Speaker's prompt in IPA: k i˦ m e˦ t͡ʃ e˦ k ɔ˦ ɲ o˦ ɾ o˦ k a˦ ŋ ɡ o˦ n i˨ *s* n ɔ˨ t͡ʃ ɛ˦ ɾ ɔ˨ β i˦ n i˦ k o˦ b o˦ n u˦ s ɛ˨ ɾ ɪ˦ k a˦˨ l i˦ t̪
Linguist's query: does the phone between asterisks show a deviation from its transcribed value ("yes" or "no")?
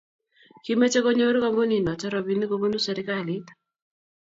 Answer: yes